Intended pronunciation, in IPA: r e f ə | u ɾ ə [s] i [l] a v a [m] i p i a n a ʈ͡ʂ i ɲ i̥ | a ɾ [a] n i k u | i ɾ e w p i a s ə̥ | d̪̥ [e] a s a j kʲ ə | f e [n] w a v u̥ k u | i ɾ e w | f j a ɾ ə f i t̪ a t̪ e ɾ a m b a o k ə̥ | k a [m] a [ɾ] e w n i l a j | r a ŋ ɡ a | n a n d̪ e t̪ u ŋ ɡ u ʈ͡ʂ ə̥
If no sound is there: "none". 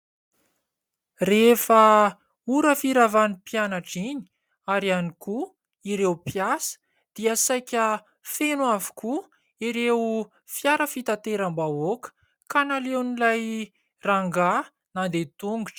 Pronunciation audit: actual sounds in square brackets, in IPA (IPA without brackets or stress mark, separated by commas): f, ɾ, n, a, i, n, n, l